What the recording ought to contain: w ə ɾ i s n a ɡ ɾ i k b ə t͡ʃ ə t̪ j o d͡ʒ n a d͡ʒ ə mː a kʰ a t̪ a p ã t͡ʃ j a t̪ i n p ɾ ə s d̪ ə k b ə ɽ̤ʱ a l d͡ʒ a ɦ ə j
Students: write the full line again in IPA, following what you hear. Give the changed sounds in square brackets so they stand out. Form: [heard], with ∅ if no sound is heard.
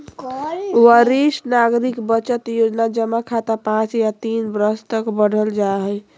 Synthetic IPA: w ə ɾ i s n a ɡ ɾ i k b ə t͡ʃ ə t̪ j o d͡ʒ n a d͡ʒ ə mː a kʰ a t̪ a p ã t͡ʃ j a t̪ i n [b] ɾ ə s [t̪] ə k b ə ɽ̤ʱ [ə] l d͡ʒ a ɦ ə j